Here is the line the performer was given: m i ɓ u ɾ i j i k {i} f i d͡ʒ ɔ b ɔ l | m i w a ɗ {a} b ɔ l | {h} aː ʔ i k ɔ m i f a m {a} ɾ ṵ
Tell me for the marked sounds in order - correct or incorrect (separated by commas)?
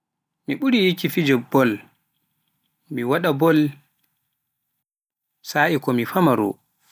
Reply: correct, correct, incorrect, correct